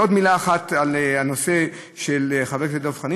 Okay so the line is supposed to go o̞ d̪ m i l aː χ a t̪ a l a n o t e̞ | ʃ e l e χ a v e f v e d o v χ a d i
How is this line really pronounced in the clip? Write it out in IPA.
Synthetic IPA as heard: o̞ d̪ m i l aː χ a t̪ a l a n o s e̞ | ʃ e l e χ a v e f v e d o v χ a n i